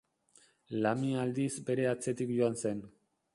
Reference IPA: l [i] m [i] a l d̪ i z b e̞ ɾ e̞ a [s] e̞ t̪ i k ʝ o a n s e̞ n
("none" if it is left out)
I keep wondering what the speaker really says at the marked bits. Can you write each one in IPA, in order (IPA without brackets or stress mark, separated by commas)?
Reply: a, i, t͡s